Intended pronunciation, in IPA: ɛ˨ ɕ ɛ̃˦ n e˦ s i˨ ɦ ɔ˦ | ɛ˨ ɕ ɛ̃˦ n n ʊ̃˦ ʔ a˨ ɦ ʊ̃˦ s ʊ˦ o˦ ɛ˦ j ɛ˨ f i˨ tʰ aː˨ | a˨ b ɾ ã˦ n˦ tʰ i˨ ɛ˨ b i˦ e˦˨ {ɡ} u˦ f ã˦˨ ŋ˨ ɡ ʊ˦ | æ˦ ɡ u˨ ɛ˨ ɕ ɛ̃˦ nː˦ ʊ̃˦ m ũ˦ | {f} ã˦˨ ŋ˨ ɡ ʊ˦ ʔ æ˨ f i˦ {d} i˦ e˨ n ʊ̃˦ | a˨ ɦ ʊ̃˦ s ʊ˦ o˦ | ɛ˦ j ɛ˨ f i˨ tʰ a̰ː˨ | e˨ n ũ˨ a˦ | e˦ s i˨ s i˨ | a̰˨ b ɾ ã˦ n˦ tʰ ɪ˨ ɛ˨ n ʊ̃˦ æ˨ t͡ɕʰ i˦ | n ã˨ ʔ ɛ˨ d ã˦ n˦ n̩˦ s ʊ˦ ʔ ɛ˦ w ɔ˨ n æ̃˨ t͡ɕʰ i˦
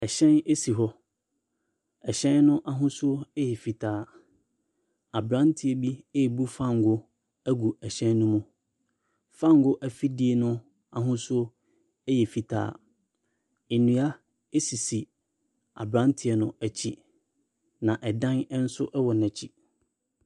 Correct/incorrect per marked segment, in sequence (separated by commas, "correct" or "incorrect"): incorrect, correct, correct